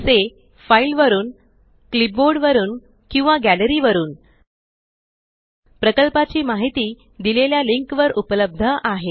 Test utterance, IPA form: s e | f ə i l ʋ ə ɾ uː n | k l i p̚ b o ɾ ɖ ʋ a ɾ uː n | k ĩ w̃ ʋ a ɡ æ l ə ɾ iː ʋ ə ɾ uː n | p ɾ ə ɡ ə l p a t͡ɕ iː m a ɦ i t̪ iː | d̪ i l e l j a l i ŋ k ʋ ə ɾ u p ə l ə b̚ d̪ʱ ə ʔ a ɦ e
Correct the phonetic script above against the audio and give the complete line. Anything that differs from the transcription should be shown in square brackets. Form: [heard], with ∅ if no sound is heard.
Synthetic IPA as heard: s e | f [a] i l ʋ ə ɾ uː n | k l i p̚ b o ɾ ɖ ʋ [ə] ɾ uː n | k ĩ w̃ ʋ a ɡ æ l ə ɾ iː ʋ ə ɾ uː n | p ɾ ə [k] ə l p a t͡ɕ iː m a ɦ i t̪ iː | d̪ i l e l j a l i ŋ k ʋ ə ɾ u p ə l ə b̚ d̪ʱ ə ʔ a ɦ e